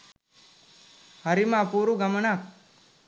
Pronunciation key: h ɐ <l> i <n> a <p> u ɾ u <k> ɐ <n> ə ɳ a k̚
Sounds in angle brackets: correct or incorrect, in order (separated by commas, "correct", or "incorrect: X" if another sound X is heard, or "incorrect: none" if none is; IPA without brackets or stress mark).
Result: incorrect: ɾ, incorrect: m, correct, incorrect: ɡ, incorrect: m